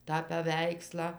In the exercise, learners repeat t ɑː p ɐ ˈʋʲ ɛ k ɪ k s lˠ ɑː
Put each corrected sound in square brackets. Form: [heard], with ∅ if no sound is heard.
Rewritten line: t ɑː p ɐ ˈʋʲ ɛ [∅] ɪ k s lˠ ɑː